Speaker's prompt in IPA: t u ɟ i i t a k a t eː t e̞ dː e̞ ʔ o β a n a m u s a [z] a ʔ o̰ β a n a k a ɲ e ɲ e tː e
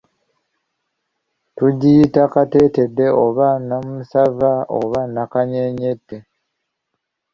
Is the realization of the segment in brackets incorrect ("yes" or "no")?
yes